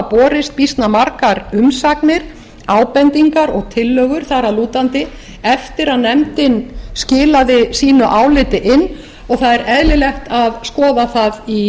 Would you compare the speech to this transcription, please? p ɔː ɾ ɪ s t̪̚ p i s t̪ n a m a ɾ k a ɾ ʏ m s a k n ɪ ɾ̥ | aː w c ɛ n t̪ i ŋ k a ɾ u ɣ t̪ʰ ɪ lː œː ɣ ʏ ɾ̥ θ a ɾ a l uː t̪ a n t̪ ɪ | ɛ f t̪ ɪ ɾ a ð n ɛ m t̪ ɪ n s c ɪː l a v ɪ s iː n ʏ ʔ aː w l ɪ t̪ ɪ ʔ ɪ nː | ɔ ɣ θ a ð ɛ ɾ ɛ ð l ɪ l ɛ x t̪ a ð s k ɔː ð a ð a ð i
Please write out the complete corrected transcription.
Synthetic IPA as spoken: p ɔː ɾ ɪ s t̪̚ p i s t̪ n a m a ɾ k a ɾ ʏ m s a k n ɪ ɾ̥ | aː w p ɛ n t̪ i ŋ k a ɾ ɔ ɣ t̪ʰ ɪ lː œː ɣ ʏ ɾ̥ θ a ɾ a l uː t̪ a n t̪ ɪ | ɛ f t̪ ɪ ɾ a ð n ɛ m t̪ ɪ n s c ɪː l a ð ɪ s iː n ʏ ʔ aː w l ɪ t̪ ɪ ʔ ɪ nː | ɔ ɣ θ a ð ɛ ɾ ɛ ð l ɪ l ɛ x t̪ a ð s k ɔː ð a θ a ð i